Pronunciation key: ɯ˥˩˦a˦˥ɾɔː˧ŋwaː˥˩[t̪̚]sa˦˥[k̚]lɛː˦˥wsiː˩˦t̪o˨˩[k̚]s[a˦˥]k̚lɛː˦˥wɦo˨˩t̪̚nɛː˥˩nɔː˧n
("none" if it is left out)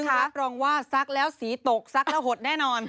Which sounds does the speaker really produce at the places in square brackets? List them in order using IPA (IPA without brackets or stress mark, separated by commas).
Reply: none, k̚, k̚, a˦˥